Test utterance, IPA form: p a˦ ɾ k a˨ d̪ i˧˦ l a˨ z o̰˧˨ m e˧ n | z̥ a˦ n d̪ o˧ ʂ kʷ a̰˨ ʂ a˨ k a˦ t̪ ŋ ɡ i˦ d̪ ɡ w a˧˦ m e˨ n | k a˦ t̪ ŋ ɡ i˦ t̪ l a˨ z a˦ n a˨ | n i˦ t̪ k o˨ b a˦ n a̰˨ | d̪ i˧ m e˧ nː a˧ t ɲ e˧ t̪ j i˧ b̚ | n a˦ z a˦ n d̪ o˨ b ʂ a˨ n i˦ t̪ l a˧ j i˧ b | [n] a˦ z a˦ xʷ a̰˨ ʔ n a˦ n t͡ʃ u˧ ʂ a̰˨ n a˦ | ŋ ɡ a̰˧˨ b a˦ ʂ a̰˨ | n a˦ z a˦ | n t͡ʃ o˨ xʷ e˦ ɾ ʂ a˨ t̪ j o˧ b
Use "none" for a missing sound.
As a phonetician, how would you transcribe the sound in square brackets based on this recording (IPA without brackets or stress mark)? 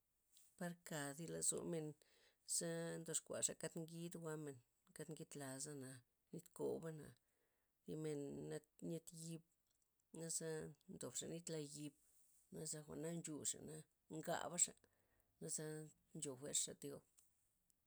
n